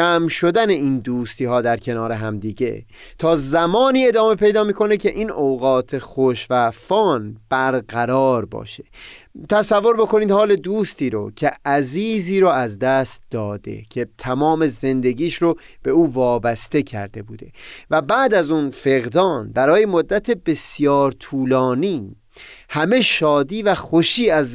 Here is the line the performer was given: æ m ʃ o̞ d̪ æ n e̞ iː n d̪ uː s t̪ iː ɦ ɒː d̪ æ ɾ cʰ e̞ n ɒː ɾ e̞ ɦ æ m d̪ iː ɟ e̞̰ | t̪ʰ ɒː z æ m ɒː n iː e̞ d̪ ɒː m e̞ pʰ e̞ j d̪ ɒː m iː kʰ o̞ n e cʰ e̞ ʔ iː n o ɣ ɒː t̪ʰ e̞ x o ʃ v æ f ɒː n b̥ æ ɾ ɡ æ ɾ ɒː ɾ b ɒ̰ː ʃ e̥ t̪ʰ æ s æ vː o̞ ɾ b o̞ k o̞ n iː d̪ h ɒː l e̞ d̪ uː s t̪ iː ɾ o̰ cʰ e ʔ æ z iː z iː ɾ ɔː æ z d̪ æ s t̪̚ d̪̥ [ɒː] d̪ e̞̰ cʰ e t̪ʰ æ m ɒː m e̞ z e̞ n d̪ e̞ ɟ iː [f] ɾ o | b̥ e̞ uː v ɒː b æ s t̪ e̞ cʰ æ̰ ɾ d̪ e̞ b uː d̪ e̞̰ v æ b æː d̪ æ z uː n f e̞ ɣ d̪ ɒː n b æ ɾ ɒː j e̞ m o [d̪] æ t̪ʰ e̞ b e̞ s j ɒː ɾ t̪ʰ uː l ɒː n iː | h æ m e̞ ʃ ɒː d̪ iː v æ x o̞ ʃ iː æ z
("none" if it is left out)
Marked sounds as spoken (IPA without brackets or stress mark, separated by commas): ɒː, ʃ, d̪ː